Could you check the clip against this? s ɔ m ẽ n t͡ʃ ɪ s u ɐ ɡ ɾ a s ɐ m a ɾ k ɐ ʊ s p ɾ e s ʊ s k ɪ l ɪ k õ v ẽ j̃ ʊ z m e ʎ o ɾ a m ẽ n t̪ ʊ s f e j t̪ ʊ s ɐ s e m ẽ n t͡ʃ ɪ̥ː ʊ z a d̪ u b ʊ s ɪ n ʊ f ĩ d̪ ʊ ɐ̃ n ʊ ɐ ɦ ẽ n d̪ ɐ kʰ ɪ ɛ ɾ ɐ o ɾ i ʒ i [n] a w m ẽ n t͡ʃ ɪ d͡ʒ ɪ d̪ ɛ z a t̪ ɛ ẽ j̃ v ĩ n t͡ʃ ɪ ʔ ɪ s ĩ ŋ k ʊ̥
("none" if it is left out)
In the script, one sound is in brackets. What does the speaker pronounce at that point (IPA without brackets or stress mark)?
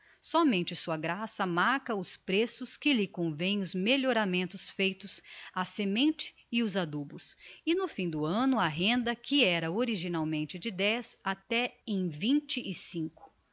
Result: n